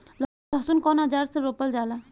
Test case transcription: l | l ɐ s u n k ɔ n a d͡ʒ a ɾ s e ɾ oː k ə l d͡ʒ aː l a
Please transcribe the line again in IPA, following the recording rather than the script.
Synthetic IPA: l | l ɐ s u n k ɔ n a d͡ʒ a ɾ s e ɾ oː p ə l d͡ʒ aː l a